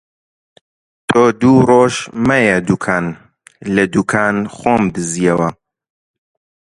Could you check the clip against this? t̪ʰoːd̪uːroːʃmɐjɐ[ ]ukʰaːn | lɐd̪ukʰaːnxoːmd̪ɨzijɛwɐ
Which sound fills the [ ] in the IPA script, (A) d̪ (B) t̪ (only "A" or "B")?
A